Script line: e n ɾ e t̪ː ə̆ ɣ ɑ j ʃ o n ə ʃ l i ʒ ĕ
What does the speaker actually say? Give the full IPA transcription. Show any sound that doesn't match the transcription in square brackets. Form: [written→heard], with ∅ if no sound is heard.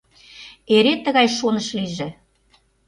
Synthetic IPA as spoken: e [n→∅] ɾ e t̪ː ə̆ ɣ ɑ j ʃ o n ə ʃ l i ʒ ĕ